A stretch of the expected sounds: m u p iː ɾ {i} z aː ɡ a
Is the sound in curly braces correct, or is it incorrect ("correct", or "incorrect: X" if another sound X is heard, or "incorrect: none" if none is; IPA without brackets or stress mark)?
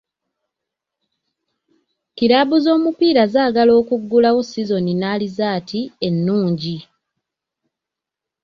incorrect: a